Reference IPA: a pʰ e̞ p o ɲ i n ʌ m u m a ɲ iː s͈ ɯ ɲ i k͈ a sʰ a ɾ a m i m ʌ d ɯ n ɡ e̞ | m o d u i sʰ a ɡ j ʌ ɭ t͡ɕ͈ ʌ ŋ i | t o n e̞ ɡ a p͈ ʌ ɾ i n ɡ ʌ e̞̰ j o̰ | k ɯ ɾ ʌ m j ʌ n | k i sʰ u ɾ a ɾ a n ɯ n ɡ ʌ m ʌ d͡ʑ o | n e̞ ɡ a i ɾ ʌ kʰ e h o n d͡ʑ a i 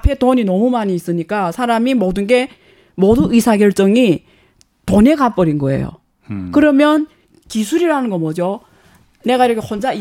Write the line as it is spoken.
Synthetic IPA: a pʰ e̞ t o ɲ i n ʌ m u m a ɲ iː s͈ ɯ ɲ i k͈ a sʰ a ɾ a m i m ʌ d ɯ n ɡ e̞ | m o d u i sʰ a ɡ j ʌ ɭ t͡ɕ͈ ʌ ŋ i | t o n e̞ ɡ a p͈ ʌ ɾ i n ɡ ʌ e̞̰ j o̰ | k ɯ ɾ ʌ m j ʌ n | k i sʰ u ɾ i ɾ a n ɯ n ɡ ʌ m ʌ d͡ʑ o | n e̞ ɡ a i ɾ ʌ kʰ e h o n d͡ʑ a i